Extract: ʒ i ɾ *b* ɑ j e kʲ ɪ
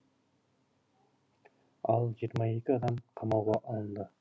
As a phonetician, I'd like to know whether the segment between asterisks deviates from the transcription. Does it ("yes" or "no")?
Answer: yes